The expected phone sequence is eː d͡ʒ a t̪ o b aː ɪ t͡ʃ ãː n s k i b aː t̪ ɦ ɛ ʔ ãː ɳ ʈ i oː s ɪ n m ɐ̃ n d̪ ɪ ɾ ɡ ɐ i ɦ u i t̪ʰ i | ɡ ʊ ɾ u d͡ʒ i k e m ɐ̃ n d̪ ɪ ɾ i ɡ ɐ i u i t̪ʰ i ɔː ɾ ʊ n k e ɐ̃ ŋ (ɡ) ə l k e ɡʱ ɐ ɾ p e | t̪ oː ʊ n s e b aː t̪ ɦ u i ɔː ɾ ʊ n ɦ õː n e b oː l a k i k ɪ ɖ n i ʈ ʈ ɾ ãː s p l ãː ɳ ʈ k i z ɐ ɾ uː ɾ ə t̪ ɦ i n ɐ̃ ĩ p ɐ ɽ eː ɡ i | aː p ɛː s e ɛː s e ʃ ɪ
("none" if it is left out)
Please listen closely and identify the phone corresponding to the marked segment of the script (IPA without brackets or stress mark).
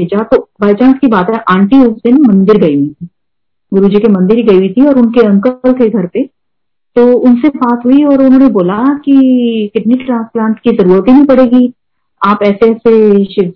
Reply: k